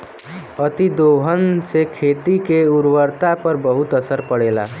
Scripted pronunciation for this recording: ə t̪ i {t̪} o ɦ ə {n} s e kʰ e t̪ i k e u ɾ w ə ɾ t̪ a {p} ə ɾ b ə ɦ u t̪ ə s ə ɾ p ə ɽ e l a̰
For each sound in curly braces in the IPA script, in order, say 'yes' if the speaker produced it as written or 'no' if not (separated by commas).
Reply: no, yes, yes